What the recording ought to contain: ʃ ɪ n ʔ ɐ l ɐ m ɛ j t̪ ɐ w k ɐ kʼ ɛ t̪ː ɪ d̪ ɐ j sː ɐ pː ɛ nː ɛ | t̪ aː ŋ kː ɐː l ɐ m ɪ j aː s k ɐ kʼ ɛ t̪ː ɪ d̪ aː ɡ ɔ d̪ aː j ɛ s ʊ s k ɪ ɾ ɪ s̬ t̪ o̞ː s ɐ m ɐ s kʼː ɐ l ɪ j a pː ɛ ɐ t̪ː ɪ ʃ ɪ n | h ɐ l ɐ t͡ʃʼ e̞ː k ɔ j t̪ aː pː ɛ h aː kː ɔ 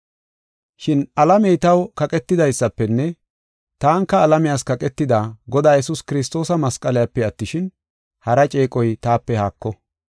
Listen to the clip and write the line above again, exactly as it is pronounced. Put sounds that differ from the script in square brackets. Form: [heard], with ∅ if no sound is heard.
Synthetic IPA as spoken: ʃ ɪ n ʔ ɐ l ɐ m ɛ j t̪ ɐ w k ɐ kʼ ɛ t̪ː ɪ d̪ ɐ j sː ɐ pː ɛ nː ɛ | t̪ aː ŋ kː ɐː l ɐ m ɪ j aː s k ɐ kʼ ɛ t̪ː ɪ d̪ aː ɡ ɔ d̪ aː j ɛ s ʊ s k ɪ ɾ ɪ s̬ t̪ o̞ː s ɐ m ɐ s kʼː ɐ l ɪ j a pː ɛ ɐ t̪ː ɪ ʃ ɪ n | h ɐ [ɾ] ɐ t͡ʃʼ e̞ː [kʼ] ɔ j t̪ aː pː ɛ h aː kː ɔ